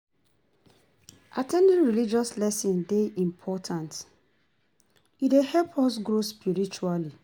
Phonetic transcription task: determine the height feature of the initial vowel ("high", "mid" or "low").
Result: low